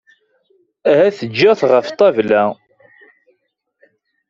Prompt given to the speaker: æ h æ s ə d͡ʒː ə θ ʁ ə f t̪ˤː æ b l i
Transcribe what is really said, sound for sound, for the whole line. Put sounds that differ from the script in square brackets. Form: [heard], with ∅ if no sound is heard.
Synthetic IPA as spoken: æ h æ [θ] ə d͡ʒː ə θ ʁ ə f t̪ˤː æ [v] l [æ]